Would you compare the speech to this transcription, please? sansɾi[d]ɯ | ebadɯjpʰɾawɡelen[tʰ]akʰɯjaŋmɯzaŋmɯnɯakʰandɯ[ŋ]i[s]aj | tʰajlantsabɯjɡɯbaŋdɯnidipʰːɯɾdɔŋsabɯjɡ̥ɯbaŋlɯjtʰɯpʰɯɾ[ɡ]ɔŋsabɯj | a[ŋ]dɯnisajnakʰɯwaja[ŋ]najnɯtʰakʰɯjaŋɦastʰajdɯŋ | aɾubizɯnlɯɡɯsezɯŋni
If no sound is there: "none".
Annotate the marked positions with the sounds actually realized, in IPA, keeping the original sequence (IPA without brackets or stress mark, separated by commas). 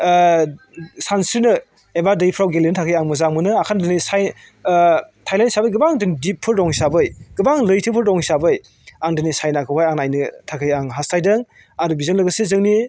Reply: n, tʰ, n, s, d, ŋ, ŋ